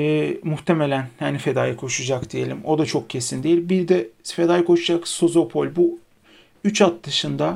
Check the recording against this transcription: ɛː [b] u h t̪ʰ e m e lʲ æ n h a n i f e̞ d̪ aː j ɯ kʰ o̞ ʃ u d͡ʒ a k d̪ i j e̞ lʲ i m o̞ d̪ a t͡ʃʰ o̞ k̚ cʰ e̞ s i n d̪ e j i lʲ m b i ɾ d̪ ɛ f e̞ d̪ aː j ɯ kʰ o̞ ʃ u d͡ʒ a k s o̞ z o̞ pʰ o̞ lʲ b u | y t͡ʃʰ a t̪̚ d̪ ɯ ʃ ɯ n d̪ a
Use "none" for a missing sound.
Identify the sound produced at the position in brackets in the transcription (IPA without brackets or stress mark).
m